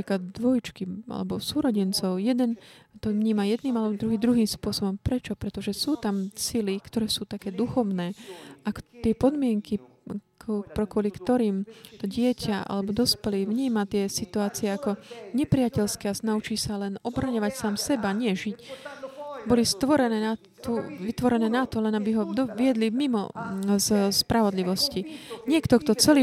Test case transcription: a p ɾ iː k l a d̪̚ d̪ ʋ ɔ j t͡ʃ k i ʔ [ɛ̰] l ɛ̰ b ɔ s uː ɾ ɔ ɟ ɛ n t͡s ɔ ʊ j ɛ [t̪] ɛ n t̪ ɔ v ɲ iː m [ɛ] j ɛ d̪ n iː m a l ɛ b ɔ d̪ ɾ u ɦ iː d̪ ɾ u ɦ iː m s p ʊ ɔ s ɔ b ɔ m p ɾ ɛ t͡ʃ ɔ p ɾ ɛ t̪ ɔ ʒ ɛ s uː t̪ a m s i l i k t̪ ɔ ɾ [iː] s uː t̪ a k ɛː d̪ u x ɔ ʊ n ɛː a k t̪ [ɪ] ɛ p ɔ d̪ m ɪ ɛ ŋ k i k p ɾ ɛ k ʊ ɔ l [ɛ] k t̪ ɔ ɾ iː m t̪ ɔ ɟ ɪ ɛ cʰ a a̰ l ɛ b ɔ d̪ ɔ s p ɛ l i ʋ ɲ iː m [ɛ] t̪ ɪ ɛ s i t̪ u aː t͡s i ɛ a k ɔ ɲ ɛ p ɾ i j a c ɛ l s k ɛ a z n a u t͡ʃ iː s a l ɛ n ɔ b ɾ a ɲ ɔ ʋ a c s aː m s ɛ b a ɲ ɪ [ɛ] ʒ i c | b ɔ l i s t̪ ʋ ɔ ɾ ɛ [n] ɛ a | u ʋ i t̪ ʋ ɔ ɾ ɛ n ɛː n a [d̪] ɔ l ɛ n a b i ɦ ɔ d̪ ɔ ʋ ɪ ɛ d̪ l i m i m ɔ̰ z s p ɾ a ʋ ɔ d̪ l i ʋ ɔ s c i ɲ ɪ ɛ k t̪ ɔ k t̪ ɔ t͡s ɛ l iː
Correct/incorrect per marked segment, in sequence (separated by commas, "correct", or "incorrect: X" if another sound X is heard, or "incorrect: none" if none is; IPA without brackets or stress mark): incorrect: a̰, incorrect: d̪, incorrect: a, incorrect: ɛː, correct, incorrect: i, incorrect: a, correct, correct, incorrect: t̪